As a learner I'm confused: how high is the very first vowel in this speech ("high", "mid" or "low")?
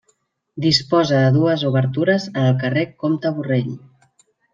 high